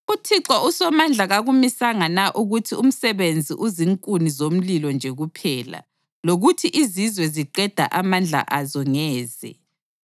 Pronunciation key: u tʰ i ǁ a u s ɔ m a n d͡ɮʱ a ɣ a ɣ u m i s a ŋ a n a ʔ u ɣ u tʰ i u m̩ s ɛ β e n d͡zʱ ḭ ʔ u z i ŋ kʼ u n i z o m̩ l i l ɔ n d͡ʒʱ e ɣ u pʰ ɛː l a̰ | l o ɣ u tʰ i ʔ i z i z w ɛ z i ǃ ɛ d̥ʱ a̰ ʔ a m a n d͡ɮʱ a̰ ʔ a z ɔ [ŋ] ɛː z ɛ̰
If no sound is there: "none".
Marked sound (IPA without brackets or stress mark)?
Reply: ŋ